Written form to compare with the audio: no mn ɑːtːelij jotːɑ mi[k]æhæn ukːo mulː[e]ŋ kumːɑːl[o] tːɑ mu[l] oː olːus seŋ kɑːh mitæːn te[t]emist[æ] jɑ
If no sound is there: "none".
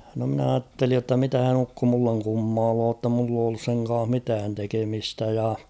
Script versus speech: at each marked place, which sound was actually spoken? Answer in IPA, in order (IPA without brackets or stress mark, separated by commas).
t, e, oː, lː, k, æ